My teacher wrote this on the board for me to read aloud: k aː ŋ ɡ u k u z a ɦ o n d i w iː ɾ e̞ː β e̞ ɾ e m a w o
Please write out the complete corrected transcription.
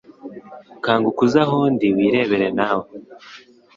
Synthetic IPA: k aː ŋ ɡ u k u z a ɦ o n d i w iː ɾ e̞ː β e̞ ɾ e n a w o